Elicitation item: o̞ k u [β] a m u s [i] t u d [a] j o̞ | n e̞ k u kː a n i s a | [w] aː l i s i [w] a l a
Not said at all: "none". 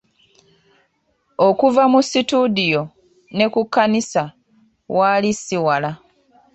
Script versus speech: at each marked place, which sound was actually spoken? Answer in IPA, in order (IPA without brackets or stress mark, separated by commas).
v, i, i, w, w